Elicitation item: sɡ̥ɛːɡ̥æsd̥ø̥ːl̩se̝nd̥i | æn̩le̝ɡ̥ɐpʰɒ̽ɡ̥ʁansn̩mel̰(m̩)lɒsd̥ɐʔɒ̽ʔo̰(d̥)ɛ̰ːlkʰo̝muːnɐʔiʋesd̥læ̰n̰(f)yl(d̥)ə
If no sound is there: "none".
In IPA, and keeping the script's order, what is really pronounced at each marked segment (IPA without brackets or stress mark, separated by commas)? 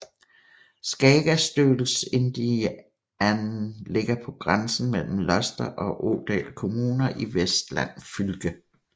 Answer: m̩, d̥, f, ɡ̥